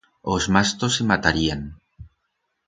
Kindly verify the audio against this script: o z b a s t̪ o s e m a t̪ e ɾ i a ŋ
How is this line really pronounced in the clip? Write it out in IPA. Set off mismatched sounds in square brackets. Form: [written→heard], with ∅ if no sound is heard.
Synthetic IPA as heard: o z [b→m] a s t̪ o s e m a t̪ [e→a] ɾ i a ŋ